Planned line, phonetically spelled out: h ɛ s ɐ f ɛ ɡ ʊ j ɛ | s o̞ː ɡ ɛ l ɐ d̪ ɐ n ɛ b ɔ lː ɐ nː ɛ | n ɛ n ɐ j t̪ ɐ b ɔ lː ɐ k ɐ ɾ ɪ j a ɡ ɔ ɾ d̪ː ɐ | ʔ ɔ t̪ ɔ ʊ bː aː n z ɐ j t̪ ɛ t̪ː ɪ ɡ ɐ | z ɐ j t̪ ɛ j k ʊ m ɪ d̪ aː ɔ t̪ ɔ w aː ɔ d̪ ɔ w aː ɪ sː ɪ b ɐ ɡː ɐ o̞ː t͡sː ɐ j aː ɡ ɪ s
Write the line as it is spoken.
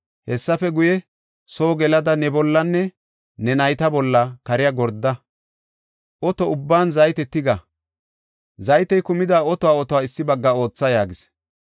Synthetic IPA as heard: h ɛ sː ɐ f ɛ ɡ ʊ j ɛ | s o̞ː ɡ ɛ l ɐ d̪ ɐ n ɛ b ɔ lː ɐ nː ɛ | n ɛ n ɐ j t̪ ɐ b ɔ lː ɐ k ɐ ɾ ɪ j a ɡ ɔ ɾ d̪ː ɐ | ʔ ɔ t̪ ɔ ʊ bː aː n z ɐ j t̪ ɛ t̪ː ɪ ɡ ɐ | z ɐ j t̪ ɛ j k ʊ m ɪ d̪ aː ɔ t̪ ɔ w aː ɔ t̪ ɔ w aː ɪ sː ɪ b ɐ ɡː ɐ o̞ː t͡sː ɐ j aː ɡ ɪ s